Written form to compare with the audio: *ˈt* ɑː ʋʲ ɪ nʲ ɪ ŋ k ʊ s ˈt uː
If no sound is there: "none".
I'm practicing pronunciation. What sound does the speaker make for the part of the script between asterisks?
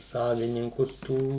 s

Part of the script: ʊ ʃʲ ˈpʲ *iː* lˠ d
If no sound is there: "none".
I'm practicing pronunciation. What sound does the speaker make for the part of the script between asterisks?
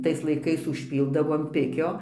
iː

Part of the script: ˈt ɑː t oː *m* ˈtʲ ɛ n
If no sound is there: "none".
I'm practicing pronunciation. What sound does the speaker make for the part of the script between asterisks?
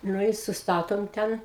m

